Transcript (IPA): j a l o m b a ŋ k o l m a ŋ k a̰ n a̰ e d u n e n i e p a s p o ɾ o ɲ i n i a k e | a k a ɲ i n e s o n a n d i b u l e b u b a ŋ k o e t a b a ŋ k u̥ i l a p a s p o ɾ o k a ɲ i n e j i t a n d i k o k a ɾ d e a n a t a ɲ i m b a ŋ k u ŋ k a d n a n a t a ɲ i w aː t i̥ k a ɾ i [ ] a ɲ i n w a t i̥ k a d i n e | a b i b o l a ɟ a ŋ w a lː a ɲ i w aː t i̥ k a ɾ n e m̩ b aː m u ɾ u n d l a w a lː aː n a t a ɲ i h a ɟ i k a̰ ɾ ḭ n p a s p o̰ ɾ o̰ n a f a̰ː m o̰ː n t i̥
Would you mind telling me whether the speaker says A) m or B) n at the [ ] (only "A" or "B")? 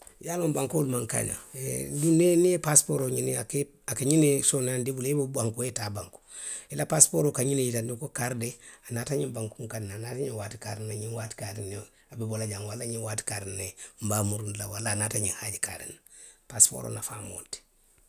B